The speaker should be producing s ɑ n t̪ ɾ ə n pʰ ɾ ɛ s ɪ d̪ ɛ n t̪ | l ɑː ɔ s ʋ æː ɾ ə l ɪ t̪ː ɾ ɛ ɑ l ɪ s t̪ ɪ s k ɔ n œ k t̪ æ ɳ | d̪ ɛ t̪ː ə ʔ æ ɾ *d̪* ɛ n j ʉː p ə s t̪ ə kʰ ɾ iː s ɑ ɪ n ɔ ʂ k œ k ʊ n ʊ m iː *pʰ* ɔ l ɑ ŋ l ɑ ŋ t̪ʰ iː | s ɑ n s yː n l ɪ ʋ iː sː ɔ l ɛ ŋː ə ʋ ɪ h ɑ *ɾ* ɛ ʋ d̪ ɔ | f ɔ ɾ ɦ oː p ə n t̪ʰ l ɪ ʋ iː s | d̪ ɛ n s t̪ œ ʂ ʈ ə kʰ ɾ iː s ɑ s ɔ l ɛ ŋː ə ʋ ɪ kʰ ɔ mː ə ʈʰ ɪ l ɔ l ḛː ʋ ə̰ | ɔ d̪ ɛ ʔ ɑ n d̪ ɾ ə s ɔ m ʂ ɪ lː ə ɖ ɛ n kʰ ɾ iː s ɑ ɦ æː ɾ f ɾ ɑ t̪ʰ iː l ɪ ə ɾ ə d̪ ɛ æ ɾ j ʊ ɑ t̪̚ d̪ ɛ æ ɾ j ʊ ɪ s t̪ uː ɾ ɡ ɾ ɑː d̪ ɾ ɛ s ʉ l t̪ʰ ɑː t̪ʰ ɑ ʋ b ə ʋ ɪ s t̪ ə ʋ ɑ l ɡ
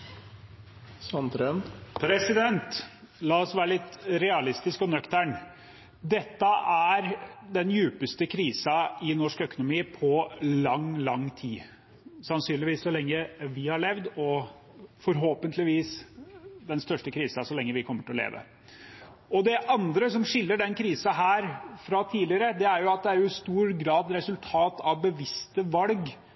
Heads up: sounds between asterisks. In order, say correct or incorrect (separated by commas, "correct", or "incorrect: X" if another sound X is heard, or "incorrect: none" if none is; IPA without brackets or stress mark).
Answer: correct, correct, incorrect: ɭ